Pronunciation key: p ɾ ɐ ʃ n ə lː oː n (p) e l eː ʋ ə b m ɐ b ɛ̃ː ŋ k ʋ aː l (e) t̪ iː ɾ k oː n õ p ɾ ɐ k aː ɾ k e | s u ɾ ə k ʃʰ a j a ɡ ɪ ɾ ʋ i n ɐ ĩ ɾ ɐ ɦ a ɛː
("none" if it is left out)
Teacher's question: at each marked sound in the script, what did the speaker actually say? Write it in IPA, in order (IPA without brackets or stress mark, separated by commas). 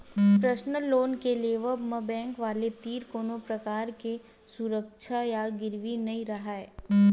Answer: k, e